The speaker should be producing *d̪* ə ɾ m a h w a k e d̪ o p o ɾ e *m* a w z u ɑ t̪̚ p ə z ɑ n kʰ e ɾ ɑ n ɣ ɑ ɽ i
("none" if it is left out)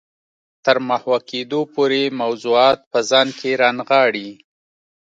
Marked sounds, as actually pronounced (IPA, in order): t̪, m

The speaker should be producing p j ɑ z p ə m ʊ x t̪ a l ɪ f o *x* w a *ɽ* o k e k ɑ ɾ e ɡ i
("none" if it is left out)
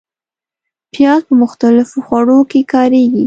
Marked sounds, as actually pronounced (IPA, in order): x, ɽ

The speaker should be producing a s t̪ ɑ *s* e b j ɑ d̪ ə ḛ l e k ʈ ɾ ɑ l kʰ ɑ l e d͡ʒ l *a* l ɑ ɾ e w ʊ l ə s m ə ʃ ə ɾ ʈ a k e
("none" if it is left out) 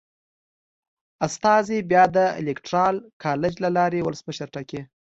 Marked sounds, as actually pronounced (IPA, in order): z, a

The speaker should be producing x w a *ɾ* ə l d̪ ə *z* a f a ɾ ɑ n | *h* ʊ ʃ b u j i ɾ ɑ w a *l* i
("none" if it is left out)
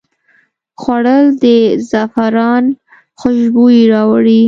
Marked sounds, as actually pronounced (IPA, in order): ɽ, z, x, ɽ

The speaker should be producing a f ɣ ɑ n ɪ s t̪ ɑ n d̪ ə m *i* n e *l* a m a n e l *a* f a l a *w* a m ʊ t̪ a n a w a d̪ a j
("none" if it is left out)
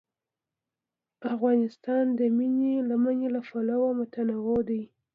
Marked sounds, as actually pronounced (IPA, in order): i, l, a, w

